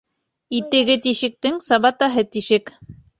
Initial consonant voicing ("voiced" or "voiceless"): voiceless